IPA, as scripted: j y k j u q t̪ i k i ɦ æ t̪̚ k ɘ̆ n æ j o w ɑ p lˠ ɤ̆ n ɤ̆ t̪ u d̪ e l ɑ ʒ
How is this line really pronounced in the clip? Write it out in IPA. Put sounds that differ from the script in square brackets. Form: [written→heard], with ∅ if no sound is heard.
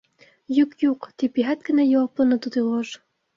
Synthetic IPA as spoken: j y k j u q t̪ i [k→p] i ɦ æ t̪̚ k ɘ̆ n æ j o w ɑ p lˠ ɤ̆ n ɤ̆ t̪ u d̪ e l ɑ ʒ